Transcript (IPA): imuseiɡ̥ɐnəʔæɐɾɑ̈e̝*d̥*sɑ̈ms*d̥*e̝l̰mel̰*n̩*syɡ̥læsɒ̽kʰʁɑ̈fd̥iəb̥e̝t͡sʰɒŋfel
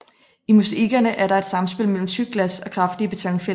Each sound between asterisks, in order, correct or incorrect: correct, incorrect, incorrect

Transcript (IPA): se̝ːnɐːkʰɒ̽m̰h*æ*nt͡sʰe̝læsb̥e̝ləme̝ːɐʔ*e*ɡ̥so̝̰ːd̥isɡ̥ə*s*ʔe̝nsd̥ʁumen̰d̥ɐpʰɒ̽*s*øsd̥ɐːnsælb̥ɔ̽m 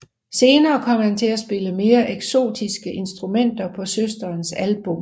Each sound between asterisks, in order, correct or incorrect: correct, correct, incorrect, correct

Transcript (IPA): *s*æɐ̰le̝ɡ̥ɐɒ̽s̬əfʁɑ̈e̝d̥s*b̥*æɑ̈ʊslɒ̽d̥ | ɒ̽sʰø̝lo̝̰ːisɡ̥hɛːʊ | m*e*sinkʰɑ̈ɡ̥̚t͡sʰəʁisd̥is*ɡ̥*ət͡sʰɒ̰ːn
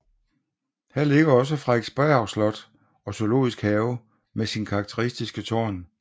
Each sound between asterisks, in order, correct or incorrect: incorrect, correct, correct, correct

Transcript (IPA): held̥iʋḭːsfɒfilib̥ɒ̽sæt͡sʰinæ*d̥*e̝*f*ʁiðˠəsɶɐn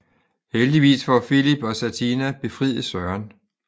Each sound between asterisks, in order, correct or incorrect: incorrect, correct

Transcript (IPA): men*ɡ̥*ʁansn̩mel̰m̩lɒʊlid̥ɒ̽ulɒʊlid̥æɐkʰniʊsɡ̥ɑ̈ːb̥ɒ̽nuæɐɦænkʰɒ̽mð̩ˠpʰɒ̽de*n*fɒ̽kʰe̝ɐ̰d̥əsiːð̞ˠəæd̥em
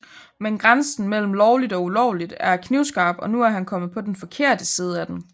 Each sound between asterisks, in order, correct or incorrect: correct, correct

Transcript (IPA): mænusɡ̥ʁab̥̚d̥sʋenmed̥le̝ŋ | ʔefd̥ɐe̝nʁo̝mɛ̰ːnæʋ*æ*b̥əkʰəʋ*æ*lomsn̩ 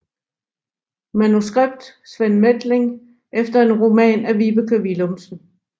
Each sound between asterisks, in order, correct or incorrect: incorrect, incorrect

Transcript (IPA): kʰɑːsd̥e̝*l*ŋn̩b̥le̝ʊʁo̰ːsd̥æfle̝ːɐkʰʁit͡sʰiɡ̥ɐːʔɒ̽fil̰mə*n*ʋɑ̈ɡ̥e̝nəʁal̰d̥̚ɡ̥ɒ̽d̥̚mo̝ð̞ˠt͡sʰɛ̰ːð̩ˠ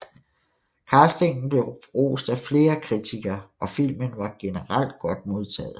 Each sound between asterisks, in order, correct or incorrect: incorrect, correct

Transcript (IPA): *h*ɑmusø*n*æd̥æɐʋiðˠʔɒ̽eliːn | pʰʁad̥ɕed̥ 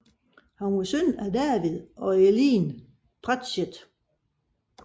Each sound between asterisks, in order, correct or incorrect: correct, correct

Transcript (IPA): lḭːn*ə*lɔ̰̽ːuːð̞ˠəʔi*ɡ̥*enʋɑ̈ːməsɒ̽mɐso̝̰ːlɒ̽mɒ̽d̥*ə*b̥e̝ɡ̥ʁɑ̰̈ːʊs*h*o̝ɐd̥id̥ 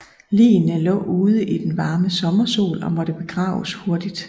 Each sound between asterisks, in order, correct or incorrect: correct, incorrect, correct, correct

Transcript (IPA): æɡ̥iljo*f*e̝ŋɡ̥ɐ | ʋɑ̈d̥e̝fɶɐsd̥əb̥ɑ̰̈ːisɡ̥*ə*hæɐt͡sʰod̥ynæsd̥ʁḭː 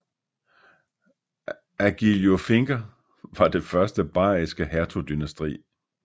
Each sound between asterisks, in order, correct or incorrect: correct, correct

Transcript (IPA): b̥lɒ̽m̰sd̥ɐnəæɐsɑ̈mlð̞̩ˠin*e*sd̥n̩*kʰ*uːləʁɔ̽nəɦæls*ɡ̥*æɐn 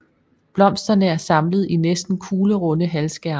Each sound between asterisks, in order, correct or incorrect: correct, correct, correct

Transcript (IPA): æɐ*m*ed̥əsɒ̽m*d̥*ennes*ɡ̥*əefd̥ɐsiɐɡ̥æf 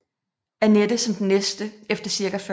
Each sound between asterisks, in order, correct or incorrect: incorrect, correct, incorrect

